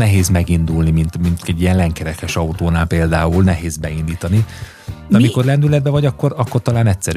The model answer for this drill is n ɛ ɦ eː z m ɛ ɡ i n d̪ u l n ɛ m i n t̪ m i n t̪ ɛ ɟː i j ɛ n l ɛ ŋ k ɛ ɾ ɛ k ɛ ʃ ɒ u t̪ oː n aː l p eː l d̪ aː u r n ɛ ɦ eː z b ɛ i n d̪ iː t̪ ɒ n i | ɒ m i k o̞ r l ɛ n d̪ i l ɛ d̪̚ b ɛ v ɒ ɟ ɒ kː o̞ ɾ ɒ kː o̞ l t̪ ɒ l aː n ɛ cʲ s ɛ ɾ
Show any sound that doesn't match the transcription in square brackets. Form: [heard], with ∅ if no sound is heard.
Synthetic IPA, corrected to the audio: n ɛ ɦ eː z m ɛ ɡ i n d̪ u l n [i] m i n t̪ m i n t̪ ɛ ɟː i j ɛ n l ɛ ŋ k ɛ ɾ ɛ k ɛ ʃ ɒ u t̪ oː n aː l p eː l d̪ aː u [l] n ɛ ɦ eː z b ɛ i n d̪ iː t̪ ɒ n i | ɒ m i k o̞ r l ɛ n d̪ [y] l ɛ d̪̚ b ɛ v ɒ ɟ ɒ kː o̞ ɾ ɒ kː o̞ [r] t̪ ɒ l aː n ɛ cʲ s ɛ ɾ